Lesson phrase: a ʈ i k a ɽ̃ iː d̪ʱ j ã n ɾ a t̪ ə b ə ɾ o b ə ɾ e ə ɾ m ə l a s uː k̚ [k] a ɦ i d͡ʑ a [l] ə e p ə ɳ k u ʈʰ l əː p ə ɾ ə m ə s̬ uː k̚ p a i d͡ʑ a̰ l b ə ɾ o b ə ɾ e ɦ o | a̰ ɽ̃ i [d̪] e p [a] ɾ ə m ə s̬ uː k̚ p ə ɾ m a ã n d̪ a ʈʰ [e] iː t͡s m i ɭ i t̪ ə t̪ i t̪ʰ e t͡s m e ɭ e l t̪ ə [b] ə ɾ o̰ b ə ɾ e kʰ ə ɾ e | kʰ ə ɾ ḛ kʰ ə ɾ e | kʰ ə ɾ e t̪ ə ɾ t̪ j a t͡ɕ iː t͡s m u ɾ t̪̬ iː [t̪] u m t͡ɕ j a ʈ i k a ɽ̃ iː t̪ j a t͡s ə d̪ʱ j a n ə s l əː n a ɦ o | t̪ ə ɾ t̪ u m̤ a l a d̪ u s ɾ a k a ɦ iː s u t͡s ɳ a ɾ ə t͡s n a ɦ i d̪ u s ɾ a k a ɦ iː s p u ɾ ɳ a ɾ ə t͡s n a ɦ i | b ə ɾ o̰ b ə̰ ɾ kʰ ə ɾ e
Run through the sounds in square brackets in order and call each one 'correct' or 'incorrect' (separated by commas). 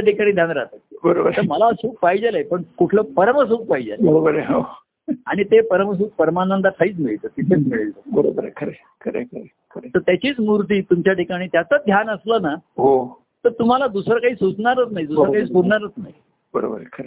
incorrect, correct, incorrect, incorrect, incorrect, correct, correct